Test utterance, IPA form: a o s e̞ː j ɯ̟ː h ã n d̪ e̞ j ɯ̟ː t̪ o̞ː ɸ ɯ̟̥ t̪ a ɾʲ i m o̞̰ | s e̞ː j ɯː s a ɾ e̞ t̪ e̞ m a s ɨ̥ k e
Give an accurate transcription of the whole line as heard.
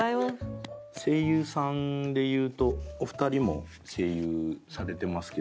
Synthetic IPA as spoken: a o s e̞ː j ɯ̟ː s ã n d̪ e̞ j ɯ̟ː t̪ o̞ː ɸ ɯ̟̥ t̪ a ɾʲ i m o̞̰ | s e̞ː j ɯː s a ɾ e̞ t̪ e̞ m a s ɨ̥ k e